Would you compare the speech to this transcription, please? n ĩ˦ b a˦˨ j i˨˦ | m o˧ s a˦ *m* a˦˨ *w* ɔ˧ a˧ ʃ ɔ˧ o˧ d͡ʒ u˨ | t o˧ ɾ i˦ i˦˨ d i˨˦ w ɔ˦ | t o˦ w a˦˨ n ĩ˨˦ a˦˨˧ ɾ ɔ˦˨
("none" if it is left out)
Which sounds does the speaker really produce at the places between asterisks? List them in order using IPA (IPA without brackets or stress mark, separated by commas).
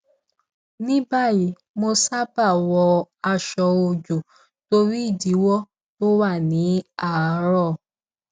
b, w